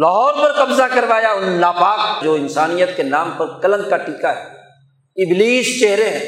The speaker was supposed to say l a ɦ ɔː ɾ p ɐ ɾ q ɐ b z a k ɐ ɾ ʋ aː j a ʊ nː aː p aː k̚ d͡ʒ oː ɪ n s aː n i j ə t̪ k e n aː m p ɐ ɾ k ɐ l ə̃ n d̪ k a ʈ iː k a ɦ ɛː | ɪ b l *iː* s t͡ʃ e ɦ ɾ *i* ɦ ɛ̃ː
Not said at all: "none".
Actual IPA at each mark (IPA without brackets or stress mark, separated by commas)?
iː, e